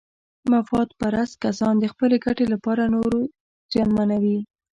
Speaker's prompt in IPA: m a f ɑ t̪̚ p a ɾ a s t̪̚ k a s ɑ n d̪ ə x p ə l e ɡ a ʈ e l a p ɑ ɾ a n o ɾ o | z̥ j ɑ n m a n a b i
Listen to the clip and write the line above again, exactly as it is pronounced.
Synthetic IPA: m a f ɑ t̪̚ p a ɾ a s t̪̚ k a s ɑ n d̪ ə x p ə l e ɡ a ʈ e l a p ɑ ɾ a n o ɾ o | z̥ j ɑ n m a n a w i